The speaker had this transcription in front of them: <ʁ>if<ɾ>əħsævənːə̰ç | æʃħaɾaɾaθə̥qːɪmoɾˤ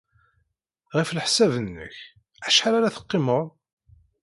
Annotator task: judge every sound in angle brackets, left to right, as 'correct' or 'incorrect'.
correct, incorrect: l

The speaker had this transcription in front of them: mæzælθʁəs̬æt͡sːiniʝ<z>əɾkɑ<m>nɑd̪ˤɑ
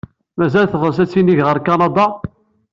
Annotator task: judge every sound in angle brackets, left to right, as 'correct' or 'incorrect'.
incorrect: ʁ, incorrect: none

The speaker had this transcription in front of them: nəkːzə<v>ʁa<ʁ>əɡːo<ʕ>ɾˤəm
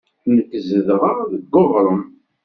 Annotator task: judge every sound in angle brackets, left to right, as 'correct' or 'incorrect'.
incorrect: ð, incorrect: ð, incorrect: ʁ

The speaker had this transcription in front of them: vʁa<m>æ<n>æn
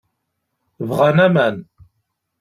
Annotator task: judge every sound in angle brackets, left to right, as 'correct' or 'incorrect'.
incorrect: n, incorrect: m

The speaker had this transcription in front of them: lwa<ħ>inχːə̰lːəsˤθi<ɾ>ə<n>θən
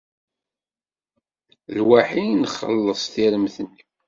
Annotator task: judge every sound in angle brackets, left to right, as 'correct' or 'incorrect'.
correct, correct, incorrect: m

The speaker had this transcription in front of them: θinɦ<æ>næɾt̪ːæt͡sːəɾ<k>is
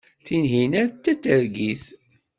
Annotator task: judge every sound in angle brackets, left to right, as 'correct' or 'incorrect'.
incorrect: i, incorrect: ɡ

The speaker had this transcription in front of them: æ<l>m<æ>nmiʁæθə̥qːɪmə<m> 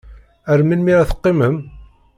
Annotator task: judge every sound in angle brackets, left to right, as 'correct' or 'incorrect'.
incorrect: ɾ, incorrect: i, correct

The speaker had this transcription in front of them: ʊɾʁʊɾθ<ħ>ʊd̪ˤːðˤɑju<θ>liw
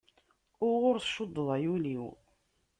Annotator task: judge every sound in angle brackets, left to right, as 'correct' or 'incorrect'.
incorrect: ʃ, incorrect: none

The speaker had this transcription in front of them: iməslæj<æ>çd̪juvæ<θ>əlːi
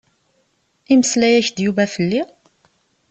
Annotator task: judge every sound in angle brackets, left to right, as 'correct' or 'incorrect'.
correct, incorrect: f

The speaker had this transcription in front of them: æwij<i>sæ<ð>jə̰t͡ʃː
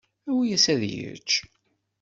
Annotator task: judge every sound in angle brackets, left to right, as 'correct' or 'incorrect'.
incorrect: æ, correct

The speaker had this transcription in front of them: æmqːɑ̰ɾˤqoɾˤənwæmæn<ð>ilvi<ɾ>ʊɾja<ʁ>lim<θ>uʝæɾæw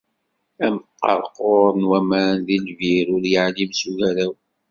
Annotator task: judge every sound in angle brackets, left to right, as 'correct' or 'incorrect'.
correct, correct, incorrect: ʕ, incorrect: s

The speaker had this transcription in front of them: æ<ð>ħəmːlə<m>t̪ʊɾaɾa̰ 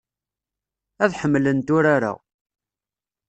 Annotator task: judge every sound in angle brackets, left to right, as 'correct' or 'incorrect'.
correct, incorrect: n

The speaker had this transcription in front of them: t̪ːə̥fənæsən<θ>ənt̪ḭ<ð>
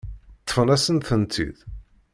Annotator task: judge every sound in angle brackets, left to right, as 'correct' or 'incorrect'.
correct, correct

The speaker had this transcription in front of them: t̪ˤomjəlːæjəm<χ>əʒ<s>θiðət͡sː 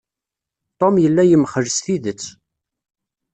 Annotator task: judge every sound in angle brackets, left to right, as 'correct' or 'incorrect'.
correct, correct

